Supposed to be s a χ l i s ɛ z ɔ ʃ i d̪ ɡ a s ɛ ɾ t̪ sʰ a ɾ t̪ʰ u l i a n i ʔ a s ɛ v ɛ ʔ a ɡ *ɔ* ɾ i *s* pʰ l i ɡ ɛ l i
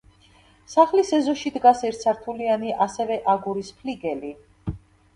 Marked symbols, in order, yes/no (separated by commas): no, yes